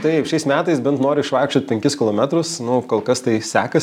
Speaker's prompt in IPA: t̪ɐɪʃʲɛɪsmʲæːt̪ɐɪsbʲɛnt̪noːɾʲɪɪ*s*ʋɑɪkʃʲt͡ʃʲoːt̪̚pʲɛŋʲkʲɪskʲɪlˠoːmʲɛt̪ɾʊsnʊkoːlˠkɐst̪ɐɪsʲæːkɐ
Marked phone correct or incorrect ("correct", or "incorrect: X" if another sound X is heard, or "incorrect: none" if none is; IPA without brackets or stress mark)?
incorrect: ʃ